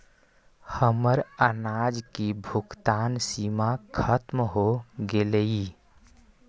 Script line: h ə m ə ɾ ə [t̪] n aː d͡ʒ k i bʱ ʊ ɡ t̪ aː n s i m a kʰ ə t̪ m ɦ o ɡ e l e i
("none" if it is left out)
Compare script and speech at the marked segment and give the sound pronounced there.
none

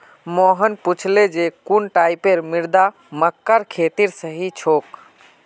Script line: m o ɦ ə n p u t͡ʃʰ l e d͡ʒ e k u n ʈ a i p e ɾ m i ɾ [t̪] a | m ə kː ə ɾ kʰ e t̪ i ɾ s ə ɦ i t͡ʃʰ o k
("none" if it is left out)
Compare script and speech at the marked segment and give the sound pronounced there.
d̪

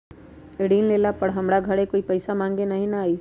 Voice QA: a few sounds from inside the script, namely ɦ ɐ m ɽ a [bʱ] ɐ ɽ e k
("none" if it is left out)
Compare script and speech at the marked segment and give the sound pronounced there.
ɡʱ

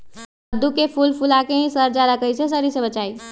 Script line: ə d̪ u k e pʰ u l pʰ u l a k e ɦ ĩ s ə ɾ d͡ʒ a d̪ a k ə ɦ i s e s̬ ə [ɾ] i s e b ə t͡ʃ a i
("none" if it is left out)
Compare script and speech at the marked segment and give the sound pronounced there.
ɾ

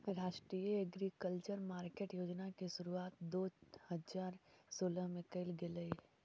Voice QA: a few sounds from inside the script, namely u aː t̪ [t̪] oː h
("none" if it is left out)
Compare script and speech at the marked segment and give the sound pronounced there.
d̪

